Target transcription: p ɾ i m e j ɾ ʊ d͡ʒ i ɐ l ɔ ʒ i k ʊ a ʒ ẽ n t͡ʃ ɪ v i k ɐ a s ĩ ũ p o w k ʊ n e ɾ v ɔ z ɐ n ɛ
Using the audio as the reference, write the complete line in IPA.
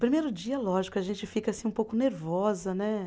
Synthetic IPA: p ɾ i m e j ɾ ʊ d͡ʒ i ɐ l ɔ ʒ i k ʊ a ʒ ẽ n t͡ʃ ɪ f i k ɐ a s ĩ ũ p o w k ʊ n e ɾ v ɔ z ɐ n ɛ